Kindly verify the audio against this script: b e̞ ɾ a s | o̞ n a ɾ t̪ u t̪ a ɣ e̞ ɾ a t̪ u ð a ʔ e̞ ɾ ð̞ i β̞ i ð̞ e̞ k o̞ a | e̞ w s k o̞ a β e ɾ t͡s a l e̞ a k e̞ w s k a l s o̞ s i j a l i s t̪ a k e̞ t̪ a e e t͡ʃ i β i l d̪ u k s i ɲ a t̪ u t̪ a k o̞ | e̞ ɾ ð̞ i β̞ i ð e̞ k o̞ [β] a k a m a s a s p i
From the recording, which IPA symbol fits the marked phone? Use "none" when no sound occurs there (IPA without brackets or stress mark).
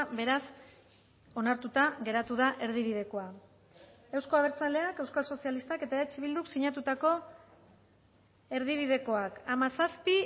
none